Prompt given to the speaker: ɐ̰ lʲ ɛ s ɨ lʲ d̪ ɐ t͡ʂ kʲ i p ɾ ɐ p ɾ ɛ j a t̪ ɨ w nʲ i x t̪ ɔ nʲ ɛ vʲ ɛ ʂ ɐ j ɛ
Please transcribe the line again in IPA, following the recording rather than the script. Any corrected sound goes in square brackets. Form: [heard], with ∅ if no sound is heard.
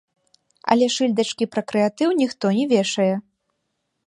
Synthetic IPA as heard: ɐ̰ lʲ ɛ [ʂ] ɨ lʲ d̪ ɐ t͡ʂ kʲ i p ɾ ɐ [k] ɾ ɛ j a t̪ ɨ w nʲ i x t̪ ɔ nʲ ɛ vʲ ɛ ʂ ɐ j ɛ